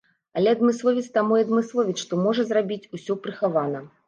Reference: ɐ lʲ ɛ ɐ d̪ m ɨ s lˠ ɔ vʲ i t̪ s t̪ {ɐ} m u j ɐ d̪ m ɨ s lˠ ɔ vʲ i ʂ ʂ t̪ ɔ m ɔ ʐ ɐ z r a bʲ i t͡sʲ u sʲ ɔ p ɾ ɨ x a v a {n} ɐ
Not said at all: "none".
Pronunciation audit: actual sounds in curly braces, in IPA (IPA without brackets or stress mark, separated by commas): a, n